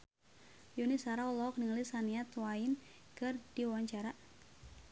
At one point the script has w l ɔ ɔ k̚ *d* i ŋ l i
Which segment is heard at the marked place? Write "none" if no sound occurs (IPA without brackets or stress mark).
n